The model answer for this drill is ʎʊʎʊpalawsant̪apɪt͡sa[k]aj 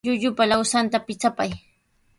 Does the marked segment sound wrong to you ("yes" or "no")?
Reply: yes